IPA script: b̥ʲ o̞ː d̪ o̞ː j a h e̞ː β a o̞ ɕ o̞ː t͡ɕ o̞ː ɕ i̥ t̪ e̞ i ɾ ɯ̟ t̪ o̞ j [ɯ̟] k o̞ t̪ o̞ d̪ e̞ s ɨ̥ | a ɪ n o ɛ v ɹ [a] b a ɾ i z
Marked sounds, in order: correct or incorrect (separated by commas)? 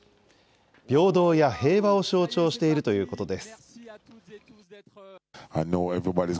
incorrect, incorrect